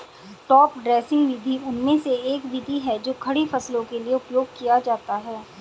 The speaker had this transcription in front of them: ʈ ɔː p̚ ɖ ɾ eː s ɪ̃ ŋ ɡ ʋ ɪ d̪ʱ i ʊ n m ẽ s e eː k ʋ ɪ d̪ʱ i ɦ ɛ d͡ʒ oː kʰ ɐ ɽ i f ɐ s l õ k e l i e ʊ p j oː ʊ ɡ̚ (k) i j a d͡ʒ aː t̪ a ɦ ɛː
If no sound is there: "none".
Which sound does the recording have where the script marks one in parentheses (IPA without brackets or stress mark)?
k